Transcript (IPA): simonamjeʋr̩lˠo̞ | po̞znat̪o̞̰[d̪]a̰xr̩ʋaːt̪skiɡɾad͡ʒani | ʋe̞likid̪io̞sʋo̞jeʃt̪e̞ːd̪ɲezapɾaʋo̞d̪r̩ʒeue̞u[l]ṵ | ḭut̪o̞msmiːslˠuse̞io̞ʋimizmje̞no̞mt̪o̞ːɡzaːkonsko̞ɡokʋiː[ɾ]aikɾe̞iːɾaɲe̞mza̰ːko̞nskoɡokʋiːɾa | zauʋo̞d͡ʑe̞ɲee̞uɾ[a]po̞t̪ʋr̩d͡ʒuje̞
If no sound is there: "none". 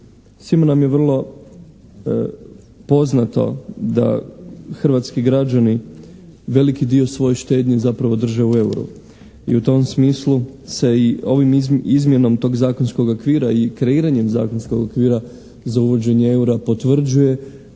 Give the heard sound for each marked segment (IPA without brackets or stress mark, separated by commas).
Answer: d̪, ɾ, ɾ, a